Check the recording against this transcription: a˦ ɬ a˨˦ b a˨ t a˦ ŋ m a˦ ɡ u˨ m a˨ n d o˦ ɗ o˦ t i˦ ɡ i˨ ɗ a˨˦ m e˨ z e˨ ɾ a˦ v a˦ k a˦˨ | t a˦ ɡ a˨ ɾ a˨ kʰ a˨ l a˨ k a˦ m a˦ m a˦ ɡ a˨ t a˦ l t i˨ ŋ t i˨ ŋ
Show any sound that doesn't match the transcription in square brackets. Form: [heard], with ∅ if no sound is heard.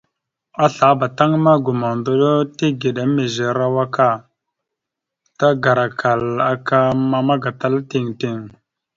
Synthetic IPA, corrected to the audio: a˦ ɬ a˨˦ b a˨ t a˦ ŋ m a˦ ɡ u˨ m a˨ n d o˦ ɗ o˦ t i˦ ɡ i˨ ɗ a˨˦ m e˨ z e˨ ɾ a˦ [w] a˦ k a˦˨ | t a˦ ɡ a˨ ɾ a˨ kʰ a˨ l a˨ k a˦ m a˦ m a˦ ɡ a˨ t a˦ l t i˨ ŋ t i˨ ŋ